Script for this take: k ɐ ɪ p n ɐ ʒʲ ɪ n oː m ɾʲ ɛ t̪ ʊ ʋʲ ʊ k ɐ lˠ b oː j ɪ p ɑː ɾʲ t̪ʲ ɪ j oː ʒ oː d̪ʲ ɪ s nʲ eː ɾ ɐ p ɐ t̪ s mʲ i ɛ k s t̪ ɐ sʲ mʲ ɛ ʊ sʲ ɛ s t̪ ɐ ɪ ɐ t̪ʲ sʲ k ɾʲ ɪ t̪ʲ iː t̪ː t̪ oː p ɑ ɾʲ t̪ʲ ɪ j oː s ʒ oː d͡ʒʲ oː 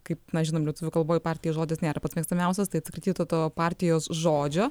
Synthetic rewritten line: k ɐ ɪ p n ɐ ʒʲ ɪ n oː m lʲ ɛ t̪ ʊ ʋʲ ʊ k ɐ lˠ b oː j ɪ p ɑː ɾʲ t̪ʲ ɪ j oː ʒ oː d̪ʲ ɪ s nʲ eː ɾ ɐ p ɐ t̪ s mʲ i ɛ k s t̪ ɐ mʲ ɛ ʊ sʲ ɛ s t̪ ɐ ɪ ɐ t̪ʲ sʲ k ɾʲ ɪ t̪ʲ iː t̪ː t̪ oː p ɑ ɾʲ t̪ʲ ɪ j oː s ʒ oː d͡ʒʲ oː